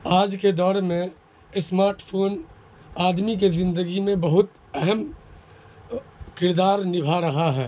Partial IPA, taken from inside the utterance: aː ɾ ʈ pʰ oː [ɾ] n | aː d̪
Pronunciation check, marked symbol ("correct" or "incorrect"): incorrect